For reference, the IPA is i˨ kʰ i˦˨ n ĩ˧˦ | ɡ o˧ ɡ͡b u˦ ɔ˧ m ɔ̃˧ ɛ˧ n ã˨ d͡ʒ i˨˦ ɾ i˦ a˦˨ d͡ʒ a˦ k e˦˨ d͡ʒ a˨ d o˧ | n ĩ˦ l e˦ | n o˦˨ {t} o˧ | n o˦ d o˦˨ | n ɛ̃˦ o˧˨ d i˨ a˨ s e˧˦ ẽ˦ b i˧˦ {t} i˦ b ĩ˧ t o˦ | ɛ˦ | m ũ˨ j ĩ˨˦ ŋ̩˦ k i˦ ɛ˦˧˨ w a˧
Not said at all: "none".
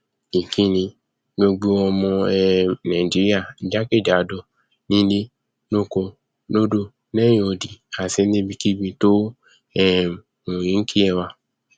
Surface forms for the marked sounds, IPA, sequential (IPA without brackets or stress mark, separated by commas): k, k